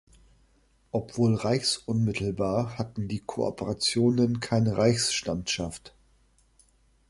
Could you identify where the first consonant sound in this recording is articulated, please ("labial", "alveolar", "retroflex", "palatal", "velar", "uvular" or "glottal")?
glottal